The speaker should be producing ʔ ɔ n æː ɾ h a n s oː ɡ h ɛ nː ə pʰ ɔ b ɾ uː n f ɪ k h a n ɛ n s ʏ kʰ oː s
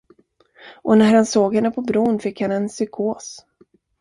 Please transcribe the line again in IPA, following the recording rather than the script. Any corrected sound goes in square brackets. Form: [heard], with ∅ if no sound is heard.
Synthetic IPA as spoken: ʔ ɔ n [æ] ɾ h a n s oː ɡ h ɛ nː ə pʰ ɔ b ɾ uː n f ɪ k h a n ɛ n s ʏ kʰ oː s